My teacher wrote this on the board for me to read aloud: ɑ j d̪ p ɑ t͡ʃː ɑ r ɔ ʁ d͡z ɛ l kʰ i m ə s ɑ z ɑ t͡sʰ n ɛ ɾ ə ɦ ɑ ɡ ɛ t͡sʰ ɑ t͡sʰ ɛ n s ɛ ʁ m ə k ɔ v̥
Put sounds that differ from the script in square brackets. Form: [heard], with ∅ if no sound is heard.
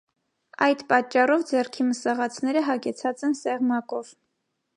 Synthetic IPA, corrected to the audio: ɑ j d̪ p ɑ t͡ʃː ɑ r ɔ [v] d͡z ɛ [r] kʰ i m ə s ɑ [ʁ] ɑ t͡sʰ n ɛ ɾ ə ɦ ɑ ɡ ɛ t͡sʰ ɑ [t͡s] ɛ n s ɛ ʁ m [ɑ] k ɔ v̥